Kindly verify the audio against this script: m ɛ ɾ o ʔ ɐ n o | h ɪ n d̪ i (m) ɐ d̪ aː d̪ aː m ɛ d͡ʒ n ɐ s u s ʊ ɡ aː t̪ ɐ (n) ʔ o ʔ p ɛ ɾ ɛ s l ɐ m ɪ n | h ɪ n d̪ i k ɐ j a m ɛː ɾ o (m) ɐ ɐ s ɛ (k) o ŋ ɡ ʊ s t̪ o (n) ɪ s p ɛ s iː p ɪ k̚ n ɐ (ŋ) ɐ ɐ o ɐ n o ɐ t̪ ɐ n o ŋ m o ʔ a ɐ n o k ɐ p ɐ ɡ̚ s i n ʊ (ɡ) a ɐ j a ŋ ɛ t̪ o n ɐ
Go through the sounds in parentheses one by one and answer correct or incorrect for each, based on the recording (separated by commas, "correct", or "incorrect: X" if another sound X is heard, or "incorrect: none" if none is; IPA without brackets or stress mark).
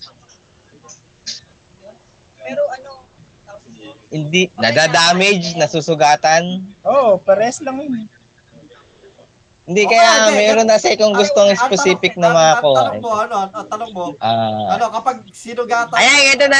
incorrect: n, correct, incorrect: n, correct, incorrect: ŋ, incorrect: m, correct